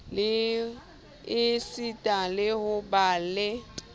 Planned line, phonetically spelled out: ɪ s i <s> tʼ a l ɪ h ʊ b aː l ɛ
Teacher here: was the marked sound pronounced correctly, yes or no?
no